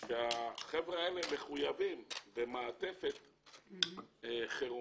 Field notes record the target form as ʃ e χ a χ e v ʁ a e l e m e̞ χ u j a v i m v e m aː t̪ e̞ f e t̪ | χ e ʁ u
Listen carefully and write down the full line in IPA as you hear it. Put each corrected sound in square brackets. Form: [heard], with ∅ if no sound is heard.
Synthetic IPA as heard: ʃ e [∅] a χ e v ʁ a e l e m e̞ χ u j a v i m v e m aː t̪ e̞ f e t̪ | χ e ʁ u